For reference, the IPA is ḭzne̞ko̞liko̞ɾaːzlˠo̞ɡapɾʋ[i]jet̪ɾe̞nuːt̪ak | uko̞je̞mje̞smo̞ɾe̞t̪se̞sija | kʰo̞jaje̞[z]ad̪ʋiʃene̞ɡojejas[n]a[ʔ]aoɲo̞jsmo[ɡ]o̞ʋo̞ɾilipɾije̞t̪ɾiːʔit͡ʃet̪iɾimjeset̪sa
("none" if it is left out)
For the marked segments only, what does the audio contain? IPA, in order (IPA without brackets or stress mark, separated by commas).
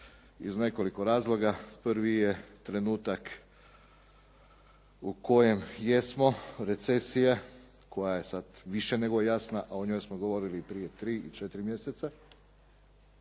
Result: i, s, n, ʔ, ɡ